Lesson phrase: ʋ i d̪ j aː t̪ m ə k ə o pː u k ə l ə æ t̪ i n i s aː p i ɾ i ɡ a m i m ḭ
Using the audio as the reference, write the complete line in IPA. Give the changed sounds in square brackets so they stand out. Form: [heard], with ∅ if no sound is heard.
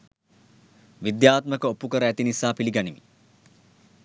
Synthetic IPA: ʋ i d̪ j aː t̪ m ə k ə o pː u k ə [ɾ] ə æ t̪ i n i s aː p i [l] i ɡ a [n] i m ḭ